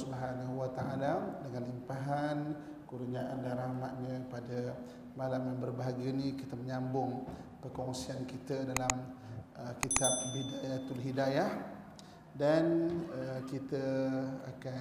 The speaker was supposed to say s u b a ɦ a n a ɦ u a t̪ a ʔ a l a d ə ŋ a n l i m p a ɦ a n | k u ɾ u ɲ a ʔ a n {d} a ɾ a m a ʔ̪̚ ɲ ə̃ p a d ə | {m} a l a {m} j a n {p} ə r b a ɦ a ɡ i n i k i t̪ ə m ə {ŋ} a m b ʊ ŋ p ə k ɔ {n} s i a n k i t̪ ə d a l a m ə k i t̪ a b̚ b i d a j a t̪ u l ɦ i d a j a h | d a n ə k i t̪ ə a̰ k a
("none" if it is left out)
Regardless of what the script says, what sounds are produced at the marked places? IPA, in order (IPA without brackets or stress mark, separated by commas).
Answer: d, m, m, b, ɲ, ŋ